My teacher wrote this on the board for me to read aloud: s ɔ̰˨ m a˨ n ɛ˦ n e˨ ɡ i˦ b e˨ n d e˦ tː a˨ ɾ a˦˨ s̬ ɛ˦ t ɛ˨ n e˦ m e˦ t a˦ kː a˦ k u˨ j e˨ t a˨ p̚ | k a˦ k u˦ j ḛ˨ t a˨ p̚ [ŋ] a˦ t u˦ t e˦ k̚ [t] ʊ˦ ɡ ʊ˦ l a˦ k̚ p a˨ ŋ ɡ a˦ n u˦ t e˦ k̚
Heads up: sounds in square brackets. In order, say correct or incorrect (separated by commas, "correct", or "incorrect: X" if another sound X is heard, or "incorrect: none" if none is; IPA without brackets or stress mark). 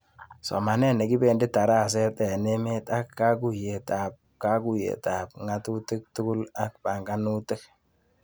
correct, correct